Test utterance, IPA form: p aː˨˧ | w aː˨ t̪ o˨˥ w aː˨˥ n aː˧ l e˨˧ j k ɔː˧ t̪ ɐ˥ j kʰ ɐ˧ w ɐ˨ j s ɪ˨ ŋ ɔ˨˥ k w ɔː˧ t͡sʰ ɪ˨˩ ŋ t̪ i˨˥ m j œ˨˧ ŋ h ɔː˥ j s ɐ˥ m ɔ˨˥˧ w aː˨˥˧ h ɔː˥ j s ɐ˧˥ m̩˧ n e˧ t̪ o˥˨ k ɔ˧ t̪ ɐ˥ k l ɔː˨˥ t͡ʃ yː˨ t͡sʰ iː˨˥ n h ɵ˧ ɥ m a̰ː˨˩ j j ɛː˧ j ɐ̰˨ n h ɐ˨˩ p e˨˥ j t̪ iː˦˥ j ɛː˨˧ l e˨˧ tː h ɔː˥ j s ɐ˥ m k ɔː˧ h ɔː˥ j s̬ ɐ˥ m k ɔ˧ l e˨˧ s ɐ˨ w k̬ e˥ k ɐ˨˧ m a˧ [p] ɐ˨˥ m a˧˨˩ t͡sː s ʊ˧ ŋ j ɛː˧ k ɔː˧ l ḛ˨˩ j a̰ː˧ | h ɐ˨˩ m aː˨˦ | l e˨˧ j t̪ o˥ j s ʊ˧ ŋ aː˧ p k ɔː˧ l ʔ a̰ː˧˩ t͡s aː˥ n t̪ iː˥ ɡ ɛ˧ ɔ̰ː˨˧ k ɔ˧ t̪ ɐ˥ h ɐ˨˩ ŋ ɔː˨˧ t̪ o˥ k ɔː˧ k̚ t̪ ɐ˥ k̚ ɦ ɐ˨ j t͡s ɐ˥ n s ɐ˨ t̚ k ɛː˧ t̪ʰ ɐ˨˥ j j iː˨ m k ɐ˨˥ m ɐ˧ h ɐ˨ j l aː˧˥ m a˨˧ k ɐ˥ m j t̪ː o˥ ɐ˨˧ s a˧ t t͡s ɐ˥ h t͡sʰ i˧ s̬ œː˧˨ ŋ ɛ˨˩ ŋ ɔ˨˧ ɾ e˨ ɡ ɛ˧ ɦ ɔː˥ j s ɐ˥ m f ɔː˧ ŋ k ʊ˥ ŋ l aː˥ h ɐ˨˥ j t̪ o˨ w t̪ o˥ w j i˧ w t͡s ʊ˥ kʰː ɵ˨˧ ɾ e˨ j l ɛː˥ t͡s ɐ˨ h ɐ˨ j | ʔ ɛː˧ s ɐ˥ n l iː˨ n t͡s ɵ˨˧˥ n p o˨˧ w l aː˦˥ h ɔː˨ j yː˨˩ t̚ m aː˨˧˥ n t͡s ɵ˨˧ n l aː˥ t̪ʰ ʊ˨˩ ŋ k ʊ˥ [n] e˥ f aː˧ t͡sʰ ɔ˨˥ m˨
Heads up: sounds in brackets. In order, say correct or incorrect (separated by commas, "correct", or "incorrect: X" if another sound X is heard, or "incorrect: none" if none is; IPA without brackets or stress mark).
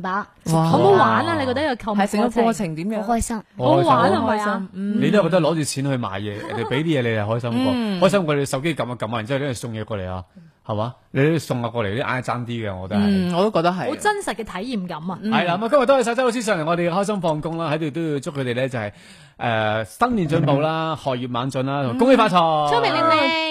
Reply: incorrect: k, incorrect: ŋ